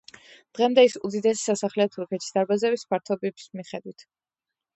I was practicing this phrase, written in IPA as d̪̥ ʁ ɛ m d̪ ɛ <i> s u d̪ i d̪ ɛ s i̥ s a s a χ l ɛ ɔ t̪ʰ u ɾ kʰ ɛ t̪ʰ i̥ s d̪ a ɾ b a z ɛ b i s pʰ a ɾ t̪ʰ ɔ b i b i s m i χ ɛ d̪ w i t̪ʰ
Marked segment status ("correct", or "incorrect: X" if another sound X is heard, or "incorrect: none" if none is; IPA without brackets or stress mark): correct